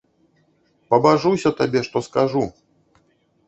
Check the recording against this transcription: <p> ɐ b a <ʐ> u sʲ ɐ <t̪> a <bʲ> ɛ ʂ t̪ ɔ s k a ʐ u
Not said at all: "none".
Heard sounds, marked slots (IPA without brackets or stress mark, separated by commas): p, ʐ, t̪, bʲ